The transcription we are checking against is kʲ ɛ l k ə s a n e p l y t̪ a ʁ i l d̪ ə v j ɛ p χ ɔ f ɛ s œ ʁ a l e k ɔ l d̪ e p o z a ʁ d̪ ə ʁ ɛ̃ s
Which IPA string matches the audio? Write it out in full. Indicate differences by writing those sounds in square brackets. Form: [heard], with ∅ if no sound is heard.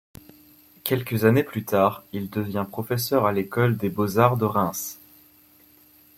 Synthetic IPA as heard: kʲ ɛ l k ə [z] a n e p l y t̪ a ʁ i l d̪ ə v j [ɛ̃] p χ ɔ f ɛ s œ ʁ a l e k ɔ l d̪ e [b] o z a ʁ d̪ ə ʁ ɛ̃ s